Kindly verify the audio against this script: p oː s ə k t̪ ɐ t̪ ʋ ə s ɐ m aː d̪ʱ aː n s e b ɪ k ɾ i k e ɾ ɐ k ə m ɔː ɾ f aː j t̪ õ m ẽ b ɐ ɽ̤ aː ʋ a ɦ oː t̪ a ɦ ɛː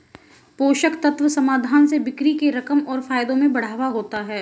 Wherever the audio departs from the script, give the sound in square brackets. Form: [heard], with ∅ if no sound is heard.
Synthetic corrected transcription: p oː [ʃ] ə k t̪ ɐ t̪ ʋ ə s ɐ m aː d̪ʱ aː n s e b ɪ k ɾ i k e ɾ ɐ k ə m ɔː ɾ f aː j [d̪] õ m ẽ b ɐ ɽ̤ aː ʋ a ɦ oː t̪ a ɦ ɛː